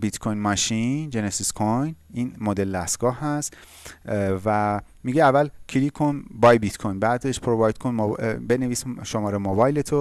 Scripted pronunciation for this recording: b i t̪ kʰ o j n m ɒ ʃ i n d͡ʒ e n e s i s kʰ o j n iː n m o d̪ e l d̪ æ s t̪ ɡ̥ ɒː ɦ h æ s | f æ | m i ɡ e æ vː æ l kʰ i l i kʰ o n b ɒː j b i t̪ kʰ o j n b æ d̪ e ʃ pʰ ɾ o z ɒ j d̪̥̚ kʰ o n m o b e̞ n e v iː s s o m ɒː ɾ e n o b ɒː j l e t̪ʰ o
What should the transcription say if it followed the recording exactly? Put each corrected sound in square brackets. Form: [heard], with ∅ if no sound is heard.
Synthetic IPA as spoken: b i t̪ kʰ o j n m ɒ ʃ i n d͡ʒ e n e s i s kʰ o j n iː n m o d̪ e l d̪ æ s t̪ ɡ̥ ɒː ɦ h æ s | [v] æ | m i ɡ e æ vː æ l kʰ i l i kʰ o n b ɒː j b i t̪ kʰ o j n b æ d̪ e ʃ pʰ ɾ o [v] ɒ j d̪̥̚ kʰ o n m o b e̞ n e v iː s [ʃ] o m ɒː ɾ e [m] o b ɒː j l e t̪ʰ o